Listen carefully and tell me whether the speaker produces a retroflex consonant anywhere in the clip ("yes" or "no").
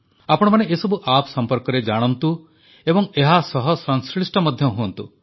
yes